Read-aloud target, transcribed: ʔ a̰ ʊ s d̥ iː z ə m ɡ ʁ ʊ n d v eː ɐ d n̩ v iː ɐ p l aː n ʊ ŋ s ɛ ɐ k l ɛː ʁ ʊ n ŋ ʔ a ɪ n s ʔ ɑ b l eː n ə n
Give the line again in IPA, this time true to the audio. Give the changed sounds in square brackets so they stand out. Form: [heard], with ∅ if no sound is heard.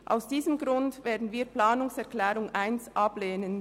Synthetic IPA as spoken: ʔ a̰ ʊ s d̥ iː z ə m ɡ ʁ ʊ n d v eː ɐ d n̩ v iː ɐ p l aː n ʊ ŋ s ɛ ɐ k l ɛː ʁ ʊ [∅] ŋ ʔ a ɪ n s ʔ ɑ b l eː n ə n